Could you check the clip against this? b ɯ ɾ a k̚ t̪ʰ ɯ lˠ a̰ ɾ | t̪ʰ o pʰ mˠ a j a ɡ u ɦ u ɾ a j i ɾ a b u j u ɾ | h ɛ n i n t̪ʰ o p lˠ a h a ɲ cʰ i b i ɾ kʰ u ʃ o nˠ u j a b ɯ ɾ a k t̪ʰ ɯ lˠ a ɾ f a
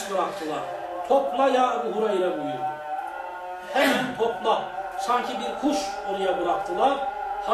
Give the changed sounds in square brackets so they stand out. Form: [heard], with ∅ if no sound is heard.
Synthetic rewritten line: b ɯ ɾ a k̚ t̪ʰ ɯ lˠ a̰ ɾ | t̪ʰ o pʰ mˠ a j a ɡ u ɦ u ɾ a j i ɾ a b u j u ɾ | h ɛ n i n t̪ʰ o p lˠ a [s] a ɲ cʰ i b i ɾ kʰ u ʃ o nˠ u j a b ɯ ɾ a k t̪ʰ ɯ lˠ a ɾ [h] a